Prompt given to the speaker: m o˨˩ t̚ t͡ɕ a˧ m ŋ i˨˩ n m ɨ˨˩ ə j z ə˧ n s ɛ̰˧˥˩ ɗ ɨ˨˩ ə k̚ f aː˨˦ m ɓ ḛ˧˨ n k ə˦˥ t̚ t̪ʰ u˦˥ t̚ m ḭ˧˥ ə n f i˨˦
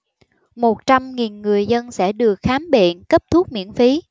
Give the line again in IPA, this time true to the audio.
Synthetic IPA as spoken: m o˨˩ t̚ t͡ɕ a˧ m ŋ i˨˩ n ŋ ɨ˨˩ ə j z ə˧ n s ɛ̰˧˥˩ ɗ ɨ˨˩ ə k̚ x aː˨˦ m ɓ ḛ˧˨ n k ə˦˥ p̚ t̪ʰ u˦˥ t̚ m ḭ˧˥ ə n f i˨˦